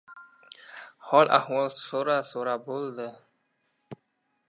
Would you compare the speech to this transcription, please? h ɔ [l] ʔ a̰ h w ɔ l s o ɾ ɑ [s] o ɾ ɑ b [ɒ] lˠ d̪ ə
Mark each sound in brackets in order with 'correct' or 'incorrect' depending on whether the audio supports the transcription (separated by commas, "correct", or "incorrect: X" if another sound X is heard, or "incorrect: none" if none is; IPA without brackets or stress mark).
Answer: correct, correct, incorrect: o